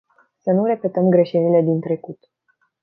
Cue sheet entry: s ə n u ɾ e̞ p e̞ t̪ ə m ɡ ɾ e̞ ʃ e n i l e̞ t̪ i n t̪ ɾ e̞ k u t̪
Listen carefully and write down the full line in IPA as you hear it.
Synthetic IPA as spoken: s ə n u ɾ e̞ p e̞ t̪ ə m ɡ ɾ e̞ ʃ e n i l e̞ d̪ i n t̪ ɾ e̞ k u t̪